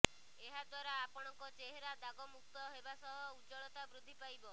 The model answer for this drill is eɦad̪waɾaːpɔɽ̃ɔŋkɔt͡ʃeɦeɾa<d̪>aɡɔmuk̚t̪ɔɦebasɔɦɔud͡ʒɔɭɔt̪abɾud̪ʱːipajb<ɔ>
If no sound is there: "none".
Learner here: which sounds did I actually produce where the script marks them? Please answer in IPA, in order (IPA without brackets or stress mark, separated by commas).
d̪, ɔ